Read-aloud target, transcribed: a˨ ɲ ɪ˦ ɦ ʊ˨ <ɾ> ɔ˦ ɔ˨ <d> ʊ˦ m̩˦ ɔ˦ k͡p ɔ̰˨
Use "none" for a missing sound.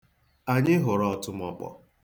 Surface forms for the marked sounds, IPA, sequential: ɾ, t

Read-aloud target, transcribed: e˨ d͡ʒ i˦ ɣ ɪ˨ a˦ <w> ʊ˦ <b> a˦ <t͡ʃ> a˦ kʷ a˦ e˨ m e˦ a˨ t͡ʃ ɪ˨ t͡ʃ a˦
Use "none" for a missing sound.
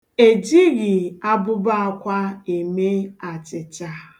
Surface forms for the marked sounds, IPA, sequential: b, b, none

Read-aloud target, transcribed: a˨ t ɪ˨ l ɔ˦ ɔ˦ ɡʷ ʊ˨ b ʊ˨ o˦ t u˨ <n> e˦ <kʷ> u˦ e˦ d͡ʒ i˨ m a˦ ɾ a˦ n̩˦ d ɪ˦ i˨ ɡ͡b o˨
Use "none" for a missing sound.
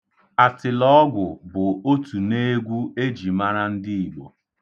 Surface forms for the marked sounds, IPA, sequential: n, ɡʷ

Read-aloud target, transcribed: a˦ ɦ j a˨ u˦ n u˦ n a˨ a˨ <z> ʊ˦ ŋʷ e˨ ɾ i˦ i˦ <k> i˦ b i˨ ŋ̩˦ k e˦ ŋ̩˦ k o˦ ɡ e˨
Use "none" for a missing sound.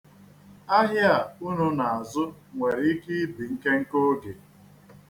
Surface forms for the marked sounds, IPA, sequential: z, k

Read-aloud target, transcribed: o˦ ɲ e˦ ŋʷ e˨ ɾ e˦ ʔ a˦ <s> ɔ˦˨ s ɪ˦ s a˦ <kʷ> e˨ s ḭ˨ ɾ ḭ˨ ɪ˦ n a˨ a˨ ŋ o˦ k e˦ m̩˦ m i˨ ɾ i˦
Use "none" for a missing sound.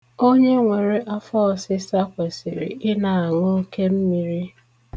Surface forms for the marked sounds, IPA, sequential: f, kʷ

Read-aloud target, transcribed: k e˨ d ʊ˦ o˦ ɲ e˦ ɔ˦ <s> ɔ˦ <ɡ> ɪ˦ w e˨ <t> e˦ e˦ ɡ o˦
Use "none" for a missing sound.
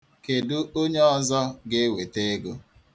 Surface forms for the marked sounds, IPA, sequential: z, ɡ, t

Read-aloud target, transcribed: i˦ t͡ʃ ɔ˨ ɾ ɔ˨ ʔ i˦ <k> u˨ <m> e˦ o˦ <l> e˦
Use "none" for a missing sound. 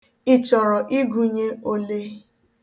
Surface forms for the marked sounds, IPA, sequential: ɡ, ɲ, l

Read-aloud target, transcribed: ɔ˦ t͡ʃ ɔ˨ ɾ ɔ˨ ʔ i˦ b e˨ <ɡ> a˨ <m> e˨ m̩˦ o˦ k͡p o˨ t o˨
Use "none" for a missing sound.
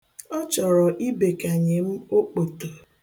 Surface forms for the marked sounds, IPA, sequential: k, ɲ

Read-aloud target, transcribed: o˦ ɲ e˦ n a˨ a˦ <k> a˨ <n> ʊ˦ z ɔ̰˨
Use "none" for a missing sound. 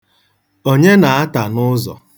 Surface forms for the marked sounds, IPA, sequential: t, n

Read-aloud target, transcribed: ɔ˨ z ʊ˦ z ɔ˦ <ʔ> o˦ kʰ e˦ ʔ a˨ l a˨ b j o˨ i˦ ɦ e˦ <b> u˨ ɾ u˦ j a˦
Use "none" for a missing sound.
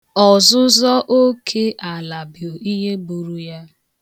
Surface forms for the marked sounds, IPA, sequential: ʔ, b

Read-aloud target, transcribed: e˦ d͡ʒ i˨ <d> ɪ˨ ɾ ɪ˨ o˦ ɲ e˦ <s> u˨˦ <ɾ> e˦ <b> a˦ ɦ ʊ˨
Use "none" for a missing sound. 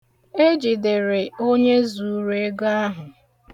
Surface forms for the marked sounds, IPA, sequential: d, z, ɾ, ɡ

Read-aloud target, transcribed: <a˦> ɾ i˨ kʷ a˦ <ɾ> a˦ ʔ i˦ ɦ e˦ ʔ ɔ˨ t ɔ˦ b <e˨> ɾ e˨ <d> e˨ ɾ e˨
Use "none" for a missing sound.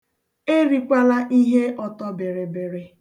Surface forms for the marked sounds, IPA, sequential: e˦, l, e˨, b

